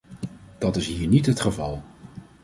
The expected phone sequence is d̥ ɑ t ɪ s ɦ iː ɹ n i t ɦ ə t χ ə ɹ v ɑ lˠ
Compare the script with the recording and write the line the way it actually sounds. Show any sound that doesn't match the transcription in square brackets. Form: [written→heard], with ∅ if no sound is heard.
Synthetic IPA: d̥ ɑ t ɪ s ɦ iː ɹ n i t ɦ ə t χ ə [ɹ→∅] v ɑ lˠ